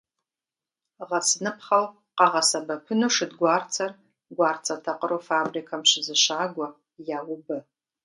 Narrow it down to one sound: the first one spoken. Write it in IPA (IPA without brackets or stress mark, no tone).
ʁ